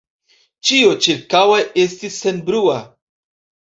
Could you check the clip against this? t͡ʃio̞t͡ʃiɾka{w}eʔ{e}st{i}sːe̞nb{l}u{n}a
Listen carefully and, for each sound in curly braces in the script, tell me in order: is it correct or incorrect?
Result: correct, correct, correct, incorrect: ɾ, incorrect: none

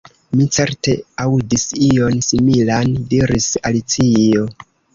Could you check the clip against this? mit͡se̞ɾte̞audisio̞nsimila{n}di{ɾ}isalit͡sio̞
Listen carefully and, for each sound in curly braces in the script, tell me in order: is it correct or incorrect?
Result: correct, correct

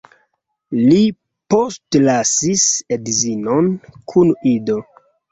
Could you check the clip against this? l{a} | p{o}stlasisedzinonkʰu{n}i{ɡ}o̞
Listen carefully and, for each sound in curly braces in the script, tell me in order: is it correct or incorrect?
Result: incorrect: i, correct, correct, incorrect: d

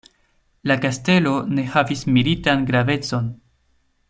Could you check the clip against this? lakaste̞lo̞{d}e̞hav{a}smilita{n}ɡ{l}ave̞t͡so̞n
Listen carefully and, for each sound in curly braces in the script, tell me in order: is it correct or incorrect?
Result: incorrect: n, incorrect: i, correct, incorrect: ɾ

